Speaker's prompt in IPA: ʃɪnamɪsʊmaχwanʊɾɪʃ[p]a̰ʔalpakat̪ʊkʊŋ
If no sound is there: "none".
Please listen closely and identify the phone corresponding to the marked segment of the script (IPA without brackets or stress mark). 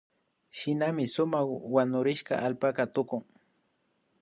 k